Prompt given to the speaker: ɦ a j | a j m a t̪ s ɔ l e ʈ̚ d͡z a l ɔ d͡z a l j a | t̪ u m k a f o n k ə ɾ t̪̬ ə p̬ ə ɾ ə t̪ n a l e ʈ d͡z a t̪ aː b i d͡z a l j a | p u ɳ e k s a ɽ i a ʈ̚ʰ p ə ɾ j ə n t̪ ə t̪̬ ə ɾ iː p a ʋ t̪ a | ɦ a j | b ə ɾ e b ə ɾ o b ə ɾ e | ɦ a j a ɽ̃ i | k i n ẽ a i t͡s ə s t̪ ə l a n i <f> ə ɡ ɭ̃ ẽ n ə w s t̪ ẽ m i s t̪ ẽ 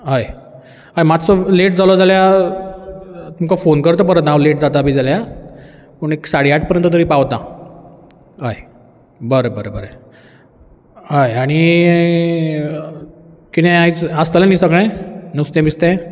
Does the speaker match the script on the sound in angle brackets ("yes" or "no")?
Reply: no